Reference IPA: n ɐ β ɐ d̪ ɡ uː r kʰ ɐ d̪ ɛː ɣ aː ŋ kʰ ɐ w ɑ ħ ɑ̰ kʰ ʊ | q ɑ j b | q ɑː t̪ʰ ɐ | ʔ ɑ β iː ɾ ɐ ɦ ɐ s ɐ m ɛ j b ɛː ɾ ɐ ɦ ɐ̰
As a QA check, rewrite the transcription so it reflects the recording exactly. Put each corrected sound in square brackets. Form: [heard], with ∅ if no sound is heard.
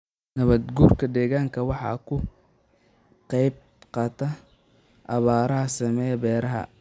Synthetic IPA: n ɐ β ɐ d̪ ɡ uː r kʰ ɐ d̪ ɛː ɣ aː ŋ kʰ ɐ w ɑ ħ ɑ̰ kʰ ʊ | q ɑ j b | q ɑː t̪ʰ ɐ | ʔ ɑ β [aː] ɾ ɐ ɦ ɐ s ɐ m ɛ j b ɛː ɾ ɐ ɦ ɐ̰